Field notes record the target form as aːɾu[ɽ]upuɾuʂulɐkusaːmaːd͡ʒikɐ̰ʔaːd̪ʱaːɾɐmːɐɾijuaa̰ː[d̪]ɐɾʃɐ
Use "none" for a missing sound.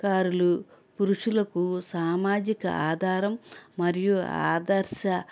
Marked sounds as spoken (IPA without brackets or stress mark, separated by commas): l, d̪